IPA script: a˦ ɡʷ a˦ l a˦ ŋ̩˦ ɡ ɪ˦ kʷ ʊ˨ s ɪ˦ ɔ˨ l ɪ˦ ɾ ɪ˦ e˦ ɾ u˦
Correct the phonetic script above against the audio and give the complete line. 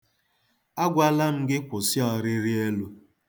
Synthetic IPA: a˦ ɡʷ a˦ l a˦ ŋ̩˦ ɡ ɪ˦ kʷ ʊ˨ s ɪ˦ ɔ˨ ɾ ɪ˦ ɾ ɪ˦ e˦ l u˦